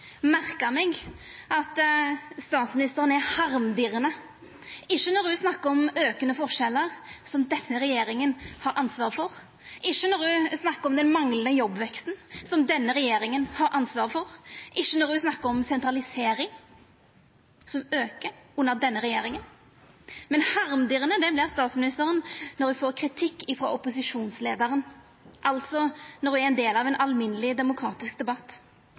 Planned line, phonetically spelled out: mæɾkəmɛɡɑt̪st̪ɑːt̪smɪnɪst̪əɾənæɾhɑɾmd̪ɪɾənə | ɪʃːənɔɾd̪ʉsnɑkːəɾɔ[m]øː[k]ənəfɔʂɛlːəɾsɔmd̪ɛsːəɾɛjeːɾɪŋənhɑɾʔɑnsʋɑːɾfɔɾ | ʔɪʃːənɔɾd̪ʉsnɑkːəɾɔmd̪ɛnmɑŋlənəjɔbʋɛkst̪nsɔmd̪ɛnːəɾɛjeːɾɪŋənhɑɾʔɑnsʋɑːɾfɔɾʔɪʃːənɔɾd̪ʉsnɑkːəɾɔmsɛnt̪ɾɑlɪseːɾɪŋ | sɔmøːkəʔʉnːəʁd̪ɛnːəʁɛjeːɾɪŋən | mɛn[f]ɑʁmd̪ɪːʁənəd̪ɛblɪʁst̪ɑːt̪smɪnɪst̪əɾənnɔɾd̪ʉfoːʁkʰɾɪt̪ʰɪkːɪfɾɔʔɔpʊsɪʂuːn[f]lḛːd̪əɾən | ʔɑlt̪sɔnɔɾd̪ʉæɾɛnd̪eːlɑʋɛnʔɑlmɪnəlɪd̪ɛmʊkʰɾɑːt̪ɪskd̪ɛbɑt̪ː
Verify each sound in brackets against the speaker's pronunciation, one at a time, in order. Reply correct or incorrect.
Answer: correct, correct, incorrect: h, incorrect: s

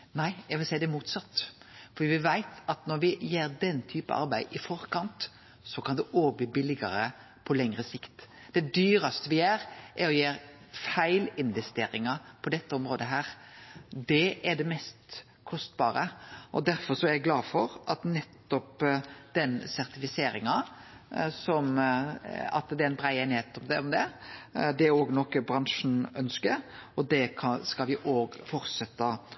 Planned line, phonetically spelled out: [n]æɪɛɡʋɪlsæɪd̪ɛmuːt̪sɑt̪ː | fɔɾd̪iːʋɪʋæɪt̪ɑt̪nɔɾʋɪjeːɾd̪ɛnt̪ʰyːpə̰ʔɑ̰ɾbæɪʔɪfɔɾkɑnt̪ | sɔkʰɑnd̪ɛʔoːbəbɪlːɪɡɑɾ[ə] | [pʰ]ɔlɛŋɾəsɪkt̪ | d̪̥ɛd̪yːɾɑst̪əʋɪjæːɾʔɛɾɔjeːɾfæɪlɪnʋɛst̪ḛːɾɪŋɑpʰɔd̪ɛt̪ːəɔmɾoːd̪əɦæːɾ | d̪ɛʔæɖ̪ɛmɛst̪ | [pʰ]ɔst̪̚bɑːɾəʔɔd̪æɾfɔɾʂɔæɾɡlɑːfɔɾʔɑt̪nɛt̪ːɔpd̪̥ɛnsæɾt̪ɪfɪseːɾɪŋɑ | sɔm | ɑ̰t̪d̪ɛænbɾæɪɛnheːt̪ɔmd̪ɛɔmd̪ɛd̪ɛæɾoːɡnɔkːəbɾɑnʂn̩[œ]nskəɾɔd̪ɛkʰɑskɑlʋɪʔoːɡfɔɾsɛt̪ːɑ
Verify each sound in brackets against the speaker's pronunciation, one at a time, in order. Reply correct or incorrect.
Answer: correct, correct, correct, incorrect: kʰ, correct

